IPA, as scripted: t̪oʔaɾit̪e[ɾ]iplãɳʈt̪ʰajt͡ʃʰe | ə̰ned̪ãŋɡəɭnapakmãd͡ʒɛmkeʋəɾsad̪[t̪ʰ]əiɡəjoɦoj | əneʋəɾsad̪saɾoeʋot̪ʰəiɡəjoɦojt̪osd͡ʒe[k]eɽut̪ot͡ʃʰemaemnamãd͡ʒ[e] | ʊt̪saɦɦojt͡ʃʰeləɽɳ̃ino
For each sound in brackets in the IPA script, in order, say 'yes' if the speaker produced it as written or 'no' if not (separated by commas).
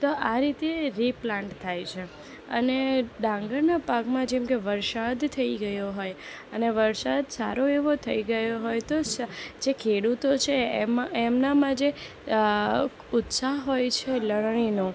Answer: yes, yes, no, yes